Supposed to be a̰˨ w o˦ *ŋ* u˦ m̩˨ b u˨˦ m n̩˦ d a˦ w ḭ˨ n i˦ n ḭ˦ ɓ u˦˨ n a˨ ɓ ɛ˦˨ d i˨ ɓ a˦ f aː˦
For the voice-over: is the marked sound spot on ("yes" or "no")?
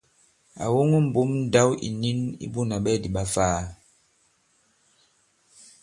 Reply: yes